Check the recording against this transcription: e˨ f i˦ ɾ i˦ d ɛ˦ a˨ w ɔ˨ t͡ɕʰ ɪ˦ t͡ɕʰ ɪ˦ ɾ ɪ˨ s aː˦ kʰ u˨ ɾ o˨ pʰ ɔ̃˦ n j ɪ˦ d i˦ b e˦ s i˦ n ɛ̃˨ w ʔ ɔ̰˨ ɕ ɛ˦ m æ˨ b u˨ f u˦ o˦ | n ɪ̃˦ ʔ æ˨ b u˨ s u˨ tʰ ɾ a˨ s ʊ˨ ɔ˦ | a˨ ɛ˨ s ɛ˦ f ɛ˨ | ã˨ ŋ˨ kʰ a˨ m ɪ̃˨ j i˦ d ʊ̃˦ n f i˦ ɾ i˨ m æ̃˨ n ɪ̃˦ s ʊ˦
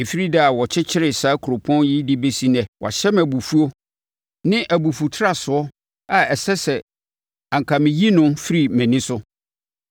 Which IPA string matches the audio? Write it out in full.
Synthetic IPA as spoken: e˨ f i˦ ɾ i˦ d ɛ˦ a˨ w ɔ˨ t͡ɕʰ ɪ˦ t͡ɕʰ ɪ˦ ɾ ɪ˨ s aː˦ kʰ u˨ ɾ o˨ pʰ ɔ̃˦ n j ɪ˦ d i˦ b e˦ s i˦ n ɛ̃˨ w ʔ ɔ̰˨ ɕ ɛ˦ m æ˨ b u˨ f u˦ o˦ | n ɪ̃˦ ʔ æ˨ b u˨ f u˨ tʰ ɾ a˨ s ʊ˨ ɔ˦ | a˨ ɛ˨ s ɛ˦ s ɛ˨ | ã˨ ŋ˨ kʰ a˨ m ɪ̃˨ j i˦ n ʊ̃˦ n f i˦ ɾ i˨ m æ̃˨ n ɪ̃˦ s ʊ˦

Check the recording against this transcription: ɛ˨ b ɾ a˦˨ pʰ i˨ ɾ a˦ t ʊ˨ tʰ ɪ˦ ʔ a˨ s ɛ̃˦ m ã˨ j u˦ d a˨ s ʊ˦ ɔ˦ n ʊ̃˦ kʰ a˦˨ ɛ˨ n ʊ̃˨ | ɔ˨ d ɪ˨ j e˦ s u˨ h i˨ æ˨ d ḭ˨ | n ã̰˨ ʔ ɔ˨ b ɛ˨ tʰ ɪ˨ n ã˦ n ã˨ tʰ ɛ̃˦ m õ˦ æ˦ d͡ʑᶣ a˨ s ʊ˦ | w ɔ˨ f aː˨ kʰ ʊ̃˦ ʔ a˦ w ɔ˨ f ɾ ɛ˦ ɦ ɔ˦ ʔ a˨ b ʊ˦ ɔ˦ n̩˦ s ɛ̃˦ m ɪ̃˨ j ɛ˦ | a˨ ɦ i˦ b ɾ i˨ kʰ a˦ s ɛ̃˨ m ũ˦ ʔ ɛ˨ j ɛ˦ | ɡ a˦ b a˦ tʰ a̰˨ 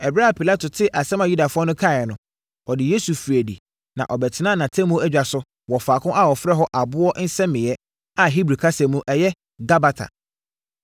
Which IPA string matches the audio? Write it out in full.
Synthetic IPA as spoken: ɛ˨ b ɾ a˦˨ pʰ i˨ l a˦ t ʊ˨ tʰ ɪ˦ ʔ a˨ s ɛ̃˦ m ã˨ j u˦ d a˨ f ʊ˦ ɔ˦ n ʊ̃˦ kʰ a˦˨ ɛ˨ n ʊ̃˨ | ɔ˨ d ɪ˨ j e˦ s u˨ f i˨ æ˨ d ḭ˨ | n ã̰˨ ʔ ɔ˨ b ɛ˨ tʰ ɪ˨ n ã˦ n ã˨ tʰ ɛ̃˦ m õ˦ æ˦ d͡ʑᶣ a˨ s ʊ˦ | w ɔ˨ f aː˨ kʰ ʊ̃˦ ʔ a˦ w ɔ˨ f ɾ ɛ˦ ɦ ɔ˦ ʔ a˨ b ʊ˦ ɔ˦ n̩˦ s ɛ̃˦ m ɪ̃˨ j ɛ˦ | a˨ ɦ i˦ b ɾ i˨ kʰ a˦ s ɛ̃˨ m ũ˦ ʔ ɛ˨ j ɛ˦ | ɡ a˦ b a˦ tʰ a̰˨

